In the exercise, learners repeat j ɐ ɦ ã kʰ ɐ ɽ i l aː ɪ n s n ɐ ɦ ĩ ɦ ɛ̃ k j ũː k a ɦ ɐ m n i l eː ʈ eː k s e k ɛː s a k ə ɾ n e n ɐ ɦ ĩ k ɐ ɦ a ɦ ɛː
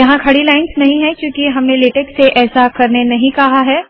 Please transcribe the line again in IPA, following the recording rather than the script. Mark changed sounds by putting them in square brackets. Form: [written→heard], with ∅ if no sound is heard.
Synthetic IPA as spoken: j ɐ ɦ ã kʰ ɐ ɽ i l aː ɪ n s n ɐ ɦ ĩ ɦ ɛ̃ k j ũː k [a→i] ɦ ɐ m n [i→e] l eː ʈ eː k s e [k→ʔ] ɛː s a k [ə→ɐ] ɾ n e n ɐ ɦ ĩ k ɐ ɦ a ɦ ɛː